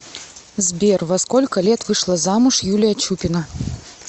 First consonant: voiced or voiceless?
voiced